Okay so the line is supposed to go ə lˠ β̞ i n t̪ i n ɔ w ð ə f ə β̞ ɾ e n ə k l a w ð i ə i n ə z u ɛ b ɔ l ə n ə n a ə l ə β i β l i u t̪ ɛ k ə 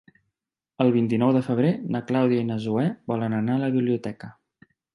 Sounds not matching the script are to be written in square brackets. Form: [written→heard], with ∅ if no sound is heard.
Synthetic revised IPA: ə lˠ β̞ i n t̪ i n ɔ w ð ə f ə β̞ ɾ e n ə k l a w ð i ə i n ə z u ɛ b ɔ l ə n ə n a ə l ə β i β l i u t̪ ɛ k ə